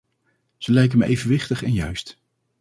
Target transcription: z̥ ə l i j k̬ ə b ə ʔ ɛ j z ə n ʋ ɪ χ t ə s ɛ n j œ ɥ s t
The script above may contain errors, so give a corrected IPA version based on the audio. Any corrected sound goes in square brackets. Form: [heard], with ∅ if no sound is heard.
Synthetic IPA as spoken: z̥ ə l [ɛ] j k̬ ə [m] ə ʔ [e] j [v] ə n ʋ ɪ χ t ə [χ] ɛ n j œ ɥ s t

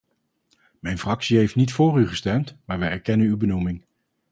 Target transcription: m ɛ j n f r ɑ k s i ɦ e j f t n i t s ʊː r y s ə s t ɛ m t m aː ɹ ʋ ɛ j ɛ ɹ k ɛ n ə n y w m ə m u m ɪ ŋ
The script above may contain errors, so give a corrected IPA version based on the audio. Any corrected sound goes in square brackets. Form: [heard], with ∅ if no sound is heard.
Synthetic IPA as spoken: m ɛ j n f r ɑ k s i ɦ e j f t n i t [f] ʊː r y [χ] ə s t ɛ m t m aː ɹ ʋ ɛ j ɛ ɹ k ɛ n ə n y w [b] ə [n] u m ɪ ŋ

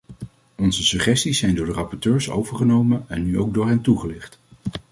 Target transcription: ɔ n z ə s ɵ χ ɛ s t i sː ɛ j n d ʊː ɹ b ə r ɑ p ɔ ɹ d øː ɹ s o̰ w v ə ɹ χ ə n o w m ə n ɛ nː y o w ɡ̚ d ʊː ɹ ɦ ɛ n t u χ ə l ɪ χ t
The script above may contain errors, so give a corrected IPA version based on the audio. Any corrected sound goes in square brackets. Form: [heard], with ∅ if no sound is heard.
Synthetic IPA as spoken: ɔ n z ə s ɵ χ ɛ s t i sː ɛ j n d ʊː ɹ [d] ə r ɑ p ɔ ɹ [t] øː ɹ s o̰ w v ə ɹ χ ə n o w m ə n ɛ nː y o w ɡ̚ d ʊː ɹ ɦ ɛ n t u χ ə l ɪ χ t

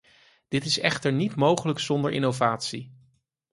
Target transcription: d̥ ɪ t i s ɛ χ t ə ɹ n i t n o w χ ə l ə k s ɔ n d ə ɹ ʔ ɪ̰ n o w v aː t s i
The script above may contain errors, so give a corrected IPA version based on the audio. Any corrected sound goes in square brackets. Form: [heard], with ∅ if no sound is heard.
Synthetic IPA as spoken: d̥ ɪ t [ɪ] s ɛ χ t ə ɹ n i t [m] o w χ ə l ə k s ɔ n d ə ɹ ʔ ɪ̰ n o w v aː t s i

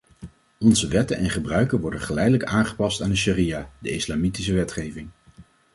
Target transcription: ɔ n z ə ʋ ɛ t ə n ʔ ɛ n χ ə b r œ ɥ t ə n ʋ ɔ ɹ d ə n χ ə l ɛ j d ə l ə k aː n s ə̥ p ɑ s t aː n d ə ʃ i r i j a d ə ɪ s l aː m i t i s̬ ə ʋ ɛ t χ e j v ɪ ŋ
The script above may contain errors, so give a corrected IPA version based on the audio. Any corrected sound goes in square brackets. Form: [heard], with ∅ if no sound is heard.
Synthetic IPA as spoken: ɔ n z ə ʋ ɛ t ə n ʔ ɛ n χ ə b r œ ɥ [k] ə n ʋ ɔ ɹ d ə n χ ə l ɛ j d ə l ə k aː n [χ] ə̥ p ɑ s t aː n d ə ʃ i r i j a d ə ɪ s l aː m i t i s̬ ə ʋ ɛ t χ e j v ɪ ŋ

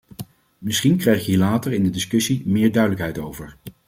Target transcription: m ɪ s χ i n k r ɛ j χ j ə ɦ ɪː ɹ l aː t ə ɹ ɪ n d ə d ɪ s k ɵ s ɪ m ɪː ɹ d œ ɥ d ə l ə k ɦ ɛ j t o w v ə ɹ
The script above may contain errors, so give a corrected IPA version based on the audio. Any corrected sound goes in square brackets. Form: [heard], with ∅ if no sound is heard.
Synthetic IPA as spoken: m ɪ s χ i n k r ɛ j χ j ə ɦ [iː] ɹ l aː t ə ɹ ɪ n d ə d ɪ s k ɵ s [i] m ɪː ɹ d œ ɥ d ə l ə k ɦ ɛ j t o w v ə ɹ

